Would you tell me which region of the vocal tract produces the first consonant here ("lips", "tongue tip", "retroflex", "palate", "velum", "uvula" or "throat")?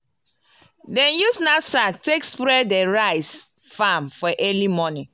tongue tip